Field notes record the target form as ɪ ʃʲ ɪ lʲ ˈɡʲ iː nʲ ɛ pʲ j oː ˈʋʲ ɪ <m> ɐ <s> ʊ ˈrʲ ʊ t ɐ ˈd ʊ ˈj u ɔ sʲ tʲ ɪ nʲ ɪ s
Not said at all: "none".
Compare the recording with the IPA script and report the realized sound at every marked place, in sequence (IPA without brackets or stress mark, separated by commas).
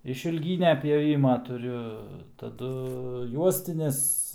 m, t